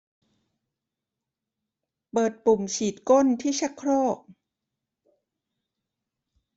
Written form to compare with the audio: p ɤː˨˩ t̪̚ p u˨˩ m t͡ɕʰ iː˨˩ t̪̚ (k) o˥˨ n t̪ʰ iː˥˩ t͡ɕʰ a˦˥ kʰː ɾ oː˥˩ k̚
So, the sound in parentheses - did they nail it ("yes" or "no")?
yes